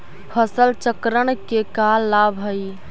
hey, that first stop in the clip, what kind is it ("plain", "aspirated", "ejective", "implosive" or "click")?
aspirated